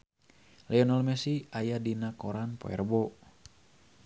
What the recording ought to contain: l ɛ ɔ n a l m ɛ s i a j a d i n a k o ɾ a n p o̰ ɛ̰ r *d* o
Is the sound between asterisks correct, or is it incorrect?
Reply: incorrect